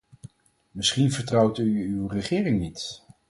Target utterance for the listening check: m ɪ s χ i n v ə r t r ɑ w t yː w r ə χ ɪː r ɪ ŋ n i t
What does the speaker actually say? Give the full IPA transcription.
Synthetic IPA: m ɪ s χ i n v ə ɹ t r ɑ w t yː w r ə χ ɪː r ɪ ŋ n i t